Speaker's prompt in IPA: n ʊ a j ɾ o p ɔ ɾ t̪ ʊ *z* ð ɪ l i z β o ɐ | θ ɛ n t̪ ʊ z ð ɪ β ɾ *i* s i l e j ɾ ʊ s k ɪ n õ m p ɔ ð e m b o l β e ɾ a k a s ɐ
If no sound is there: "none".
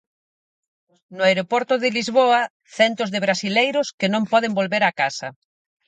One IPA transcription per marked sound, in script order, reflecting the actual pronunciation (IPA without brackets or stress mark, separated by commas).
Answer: none, a